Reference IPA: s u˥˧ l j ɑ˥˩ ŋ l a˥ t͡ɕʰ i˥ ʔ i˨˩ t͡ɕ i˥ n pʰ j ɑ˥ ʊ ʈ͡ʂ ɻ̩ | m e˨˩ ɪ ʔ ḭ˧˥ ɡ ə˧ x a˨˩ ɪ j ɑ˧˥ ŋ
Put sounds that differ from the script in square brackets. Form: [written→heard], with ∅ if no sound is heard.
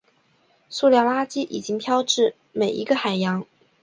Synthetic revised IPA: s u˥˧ l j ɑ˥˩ ŋ l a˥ [t͡ɕʰ→t͡ɕ] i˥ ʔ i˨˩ t͡ɕ i˥ [n→ŋ] pʰ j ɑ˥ ʊ ʈ͡ʂ ɻ̩ | m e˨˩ ɪ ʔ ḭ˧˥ ɡ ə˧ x a˨˩ ɪ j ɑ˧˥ ŋ